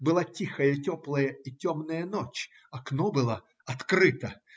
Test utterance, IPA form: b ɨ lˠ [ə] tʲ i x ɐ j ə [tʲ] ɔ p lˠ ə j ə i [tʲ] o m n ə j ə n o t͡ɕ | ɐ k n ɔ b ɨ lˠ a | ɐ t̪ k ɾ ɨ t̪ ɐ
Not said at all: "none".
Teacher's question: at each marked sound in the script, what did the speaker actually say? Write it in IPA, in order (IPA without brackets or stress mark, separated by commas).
a, tʲ, tʲ